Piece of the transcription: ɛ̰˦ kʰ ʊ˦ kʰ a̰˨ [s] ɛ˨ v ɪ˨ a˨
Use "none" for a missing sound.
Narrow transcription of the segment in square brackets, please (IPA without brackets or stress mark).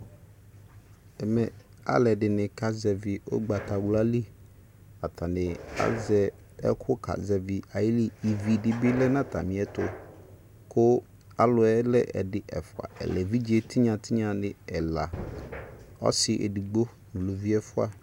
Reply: z